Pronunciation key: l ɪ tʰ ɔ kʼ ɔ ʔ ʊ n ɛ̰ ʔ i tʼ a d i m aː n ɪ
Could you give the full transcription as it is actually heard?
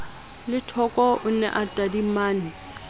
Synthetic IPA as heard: l ɪ tʰ ɔ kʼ ɔ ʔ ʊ n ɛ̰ ʔ a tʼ a d i m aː n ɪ